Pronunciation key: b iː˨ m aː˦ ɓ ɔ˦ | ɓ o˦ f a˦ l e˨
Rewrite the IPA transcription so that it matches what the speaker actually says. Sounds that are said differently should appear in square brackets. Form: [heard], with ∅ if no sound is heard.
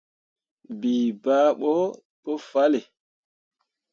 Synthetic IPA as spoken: b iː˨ [b] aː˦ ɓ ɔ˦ | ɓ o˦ f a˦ l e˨